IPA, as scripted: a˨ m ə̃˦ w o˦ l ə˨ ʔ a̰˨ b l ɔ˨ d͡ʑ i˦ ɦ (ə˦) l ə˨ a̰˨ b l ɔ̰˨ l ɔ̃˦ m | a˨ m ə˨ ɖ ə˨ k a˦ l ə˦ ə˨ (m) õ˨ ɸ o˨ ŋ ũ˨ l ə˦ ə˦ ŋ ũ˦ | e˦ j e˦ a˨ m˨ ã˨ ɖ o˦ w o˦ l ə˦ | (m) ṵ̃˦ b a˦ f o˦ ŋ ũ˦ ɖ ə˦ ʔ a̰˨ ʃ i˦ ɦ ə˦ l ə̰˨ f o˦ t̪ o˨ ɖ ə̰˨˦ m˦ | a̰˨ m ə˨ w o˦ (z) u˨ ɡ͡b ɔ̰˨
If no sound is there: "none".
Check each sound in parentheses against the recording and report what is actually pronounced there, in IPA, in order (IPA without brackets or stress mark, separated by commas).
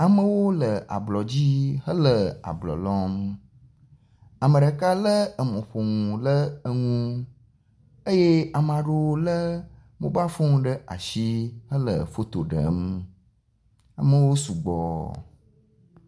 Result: ə˦, m, m, s